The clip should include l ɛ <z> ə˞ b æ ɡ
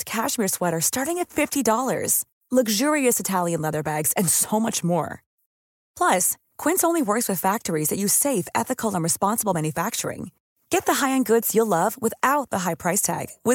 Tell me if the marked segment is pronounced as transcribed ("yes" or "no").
no